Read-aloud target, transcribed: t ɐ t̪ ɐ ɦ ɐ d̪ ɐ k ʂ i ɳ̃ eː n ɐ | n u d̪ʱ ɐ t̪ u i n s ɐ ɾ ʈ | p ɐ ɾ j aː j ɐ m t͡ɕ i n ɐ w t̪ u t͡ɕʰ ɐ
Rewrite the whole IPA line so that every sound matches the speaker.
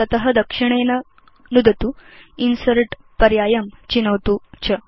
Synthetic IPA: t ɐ t̪ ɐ ɦ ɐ d̪ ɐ k ʂ i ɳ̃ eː n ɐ | n u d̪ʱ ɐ t̪ u i n s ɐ ɾ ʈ | p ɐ ɾ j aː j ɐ m t͡ɕ i n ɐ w t̪ u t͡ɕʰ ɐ